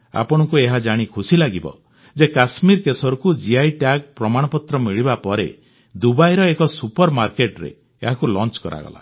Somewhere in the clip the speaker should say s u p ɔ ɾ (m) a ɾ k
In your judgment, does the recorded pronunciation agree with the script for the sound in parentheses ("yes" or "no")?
yes